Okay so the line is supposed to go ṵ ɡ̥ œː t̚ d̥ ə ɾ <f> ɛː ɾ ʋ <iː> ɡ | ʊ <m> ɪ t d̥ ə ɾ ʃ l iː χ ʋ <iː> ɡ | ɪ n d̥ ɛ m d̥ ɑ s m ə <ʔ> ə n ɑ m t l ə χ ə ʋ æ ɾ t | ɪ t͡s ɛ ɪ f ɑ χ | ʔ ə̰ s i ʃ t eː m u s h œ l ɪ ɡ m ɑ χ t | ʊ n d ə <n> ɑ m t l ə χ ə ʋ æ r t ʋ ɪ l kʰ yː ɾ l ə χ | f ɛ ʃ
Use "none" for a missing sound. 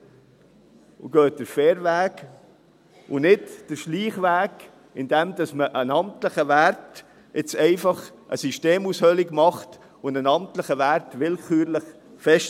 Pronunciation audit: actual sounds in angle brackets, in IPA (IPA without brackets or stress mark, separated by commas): f, æː, n, æː, ʔ, n